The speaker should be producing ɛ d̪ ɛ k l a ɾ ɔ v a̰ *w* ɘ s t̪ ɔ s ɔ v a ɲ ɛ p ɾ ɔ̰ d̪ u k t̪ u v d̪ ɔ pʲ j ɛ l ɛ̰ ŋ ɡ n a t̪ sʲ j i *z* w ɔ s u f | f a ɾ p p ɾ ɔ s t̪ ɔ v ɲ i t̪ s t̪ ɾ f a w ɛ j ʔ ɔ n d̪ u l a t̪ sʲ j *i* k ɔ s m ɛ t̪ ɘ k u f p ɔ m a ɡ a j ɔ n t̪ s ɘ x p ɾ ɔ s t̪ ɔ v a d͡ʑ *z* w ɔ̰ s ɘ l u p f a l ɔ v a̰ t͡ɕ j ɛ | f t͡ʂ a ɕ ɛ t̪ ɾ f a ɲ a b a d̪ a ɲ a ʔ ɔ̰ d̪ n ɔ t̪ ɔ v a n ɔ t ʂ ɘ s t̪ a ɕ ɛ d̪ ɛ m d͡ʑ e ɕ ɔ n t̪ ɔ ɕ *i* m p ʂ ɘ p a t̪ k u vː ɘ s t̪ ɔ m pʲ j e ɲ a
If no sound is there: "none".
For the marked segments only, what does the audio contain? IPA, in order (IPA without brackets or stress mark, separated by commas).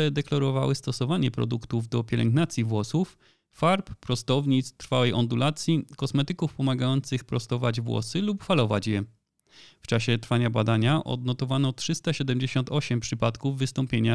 w, v, i, v, ɛ